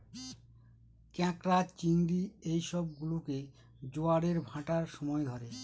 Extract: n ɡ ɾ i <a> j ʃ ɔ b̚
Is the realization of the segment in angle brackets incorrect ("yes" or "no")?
yes